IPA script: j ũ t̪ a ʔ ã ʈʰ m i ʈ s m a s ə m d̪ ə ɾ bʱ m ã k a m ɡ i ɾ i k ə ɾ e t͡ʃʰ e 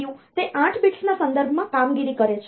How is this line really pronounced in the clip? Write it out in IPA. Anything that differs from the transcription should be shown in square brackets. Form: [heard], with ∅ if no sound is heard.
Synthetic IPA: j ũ t̪ [e] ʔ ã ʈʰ [b] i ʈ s [n] a s ə [n] d̪ ə ɾ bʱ m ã k a m ɡ i ɾ i k ə ɾ e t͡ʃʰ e